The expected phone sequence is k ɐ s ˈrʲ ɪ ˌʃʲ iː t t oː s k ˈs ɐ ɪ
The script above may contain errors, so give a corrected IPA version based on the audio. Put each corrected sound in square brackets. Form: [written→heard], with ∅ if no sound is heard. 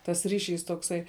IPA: [k→t] ɐ s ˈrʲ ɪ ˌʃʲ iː [t→s] t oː [s→∅] k ˈs ɐ ɪ